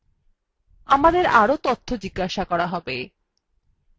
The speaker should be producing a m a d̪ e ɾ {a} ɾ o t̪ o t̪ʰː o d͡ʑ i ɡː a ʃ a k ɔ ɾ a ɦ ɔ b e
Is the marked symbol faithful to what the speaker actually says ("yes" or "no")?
yes